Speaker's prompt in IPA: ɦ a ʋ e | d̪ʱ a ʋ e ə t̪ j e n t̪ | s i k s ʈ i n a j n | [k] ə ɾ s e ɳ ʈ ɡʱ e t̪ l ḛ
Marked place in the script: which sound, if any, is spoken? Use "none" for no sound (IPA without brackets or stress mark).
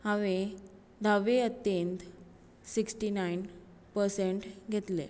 p